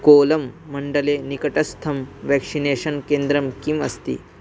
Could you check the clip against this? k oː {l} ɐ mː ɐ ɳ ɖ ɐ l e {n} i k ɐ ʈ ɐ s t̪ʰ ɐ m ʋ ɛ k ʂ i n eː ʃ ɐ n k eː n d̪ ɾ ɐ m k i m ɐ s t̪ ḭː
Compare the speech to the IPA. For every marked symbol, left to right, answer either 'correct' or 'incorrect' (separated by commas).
correct, correct